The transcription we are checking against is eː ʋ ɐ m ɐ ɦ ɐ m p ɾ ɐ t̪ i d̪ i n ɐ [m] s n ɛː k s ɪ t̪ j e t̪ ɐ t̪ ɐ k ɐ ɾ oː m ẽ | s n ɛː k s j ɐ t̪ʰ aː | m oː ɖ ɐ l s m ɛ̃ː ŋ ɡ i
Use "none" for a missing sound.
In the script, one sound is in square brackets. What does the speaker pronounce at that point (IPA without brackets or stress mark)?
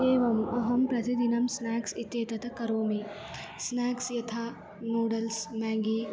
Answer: m